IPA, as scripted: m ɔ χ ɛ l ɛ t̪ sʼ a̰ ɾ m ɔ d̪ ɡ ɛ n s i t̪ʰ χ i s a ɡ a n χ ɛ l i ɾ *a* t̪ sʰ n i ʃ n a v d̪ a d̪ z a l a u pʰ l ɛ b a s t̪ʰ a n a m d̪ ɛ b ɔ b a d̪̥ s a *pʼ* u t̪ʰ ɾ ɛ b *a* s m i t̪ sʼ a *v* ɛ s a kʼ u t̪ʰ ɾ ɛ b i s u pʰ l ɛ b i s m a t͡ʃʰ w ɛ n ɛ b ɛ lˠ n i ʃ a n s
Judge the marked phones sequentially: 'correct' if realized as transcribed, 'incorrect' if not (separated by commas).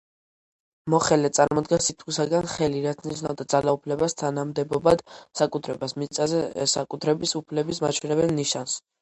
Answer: correct, incorrect, correct, incorrect